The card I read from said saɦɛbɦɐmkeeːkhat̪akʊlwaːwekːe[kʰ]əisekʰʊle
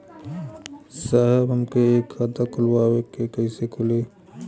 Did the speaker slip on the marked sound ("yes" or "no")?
yes